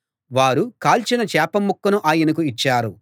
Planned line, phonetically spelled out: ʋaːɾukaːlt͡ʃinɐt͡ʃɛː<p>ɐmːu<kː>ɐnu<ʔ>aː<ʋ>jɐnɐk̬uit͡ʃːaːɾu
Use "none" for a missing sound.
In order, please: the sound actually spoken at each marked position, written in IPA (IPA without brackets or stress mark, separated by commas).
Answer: p, kː, ʔ, none